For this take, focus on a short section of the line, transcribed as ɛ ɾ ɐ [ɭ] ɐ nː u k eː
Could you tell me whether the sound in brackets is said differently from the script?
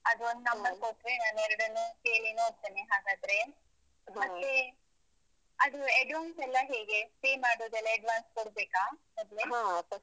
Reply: yes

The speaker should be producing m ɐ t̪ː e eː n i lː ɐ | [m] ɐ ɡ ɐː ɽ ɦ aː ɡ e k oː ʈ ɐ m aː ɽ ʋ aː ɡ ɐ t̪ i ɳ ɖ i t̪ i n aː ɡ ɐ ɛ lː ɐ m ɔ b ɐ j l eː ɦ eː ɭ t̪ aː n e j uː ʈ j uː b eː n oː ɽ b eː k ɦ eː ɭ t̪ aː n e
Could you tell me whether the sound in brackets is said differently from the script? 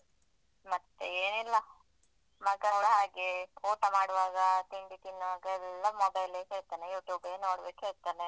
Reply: no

